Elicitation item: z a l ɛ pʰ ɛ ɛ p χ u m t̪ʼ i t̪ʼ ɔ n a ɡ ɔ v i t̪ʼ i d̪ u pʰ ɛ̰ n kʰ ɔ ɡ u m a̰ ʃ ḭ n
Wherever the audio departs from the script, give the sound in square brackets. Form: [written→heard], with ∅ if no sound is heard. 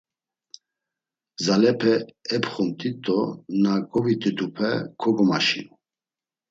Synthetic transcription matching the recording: z a l ɛ pʰ ɛ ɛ p χ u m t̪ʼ i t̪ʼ ɔ n a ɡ ɔ v i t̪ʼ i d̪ u pʰ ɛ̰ [n→∅] kʰ ɔ ɡ [u→ɔ] m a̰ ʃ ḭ n